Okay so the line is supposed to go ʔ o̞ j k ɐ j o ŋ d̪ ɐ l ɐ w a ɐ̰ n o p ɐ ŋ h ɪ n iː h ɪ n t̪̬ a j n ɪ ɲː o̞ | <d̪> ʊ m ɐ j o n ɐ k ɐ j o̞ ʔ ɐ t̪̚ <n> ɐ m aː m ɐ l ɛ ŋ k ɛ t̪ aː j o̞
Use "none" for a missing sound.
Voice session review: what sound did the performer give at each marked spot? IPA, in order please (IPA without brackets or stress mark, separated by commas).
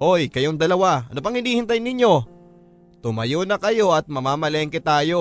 t̪, m